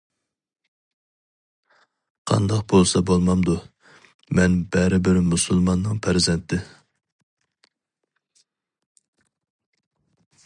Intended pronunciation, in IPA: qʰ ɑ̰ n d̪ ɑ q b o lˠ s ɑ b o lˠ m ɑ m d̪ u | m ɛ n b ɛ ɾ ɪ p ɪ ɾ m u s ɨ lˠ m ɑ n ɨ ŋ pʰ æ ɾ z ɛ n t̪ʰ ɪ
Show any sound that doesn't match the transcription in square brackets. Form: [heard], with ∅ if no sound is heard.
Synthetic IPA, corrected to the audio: qʰ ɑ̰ n d̪ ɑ q b o lˠ s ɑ b o lˠ m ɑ m d̪ u | m ɛ n b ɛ ɾ ɪ [b] ɪ ɾ m u s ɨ lˠ m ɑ [nː] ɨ ŋ pʰ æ ɾ z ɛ n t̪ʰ ɪ